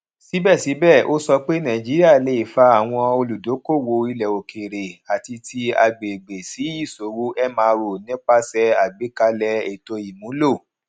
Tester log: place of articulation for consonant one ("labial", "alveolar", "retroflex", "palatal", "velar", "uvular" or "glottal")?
alveolar